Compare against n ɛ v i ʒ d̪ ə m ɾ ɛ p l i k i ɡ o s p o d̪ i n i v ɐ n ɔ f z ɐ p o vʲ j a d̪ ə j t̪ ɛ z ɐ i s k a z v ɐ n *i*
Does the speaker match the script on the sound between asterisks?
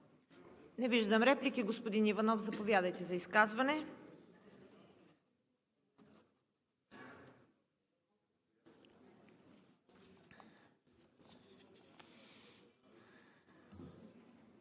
no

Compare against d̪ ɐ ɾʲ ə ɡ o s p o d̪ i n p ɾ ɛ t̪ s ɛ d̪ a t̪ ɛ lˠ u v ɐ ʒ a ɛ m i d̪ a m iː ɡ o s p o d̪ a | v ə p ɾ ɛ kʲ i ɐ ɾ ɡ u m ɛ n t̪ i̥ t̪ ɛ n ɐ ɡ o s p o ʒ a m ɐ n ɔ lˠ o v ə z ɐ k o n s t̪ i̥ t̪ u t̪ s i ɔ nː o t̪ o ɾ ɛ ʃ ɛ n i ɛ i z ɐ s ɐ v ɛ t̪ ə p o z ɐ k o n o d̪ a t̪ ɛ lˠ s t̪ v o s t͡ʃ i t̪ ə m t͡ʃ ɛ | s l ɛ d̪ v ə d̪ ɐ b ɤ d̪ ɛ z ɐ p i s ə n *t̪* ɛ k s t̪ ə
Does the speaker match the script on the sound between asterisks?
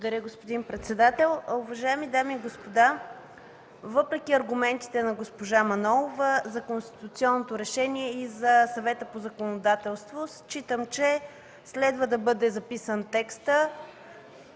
yes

